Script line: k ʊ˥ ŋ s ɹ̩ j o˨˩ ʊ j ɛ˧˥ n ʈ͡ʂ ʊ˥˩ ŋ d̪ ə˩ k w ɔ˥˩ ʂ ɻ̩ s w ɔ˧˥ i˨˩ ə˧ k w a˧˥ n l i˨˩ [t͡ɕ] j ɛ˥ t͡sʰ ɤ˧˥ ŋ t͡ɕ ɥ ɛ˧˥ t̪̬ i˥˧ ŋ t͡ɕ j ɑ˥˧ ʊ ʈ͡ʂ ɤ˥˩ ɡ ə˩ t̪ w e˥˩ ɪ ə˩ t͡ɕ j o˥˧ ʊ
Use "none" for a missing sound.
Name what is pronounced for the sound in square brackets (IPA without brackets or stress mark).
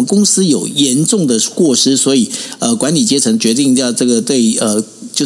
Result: t͡ɕ